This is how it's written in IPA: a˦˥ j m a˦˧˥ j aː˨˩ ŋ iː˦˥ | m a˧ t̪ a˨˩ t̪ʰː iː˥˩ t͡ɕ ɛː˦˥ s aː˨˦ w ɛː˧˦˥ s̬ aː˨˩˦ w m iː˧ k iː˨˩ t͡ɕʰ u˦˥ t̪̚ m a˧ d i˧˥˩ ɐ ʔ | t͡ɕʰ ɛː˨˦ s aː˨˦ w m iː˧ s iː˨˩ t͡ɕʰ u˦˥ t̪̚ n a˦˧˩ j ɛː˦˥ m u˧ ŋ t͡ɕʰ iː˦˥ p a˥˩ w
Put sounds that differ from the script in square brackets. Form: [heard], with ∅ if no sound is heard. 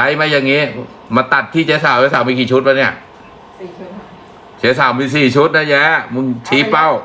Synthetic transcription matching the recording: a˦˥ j m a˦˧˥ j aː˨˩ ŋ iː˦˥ | m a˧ t̪ a˨˩ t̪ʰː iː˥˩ t͡ɕ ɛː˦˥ s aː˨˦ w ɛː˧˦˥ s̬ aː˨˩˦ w m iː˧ k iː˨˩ t͡ɕʰ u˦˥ t̪̚ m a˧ [n] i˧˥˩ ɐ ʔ | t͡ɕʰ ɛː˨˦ s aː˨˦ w m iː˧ s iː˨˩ t͡ɕʰ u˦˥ t̪̚ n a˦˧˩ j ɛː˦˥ m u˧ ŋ t͡ɕʰ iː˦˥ p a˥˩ w